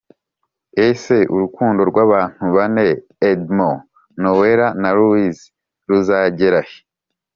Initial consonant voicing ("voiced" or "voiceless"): voiceless